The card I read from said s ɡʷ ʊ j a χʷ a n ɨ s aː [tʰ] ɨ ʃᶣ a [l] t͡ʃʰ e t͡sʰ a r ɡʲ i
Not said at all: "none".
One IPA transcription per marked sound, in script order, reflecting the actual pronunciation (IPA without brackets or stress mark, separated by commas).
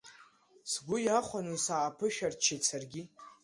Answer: pʰ, r